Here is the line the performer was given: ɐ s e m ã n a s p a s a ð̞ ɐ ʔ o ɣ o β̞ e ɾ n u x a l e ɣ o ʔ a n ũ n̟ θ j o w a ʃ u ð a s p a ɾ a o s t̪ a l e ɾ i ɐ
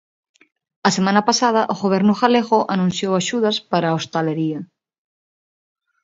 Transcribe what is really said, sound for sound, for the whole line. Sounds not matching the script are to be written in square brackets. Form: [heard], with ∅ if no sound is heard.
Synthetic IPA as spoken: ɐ s e m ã n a [∅] p a s a ð̞ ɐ ʔ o ɣ o β̞ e ɾ n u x a l e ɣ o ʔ a n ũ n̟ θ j o w a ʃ u ð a s p a ɾ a o s t̪ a l e ɾ i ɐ